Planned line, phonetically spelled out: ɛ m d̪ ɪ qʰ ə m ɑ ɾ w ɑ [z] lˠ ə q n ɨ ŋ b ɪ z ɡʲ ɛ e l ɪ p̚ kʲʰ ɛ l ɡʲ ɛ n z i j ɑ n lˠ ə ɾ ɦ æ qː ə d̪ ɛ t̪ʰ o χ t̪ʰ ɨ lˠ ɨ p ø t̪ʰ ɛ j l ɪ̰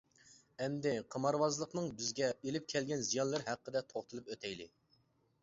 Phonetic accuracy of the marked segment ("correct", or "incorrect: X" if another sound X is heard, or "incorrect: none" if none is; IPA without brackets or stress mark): correct